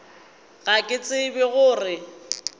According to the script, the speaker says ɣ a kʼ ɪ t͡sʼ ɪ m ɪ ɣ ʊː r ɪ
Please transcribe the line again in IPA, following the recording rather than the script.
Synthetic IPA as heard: ɣ a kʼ ɪ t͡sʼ ɪ b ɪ ɣ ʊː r ɪ